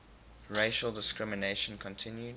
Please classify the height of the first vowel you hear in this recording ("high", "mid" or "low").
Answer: mid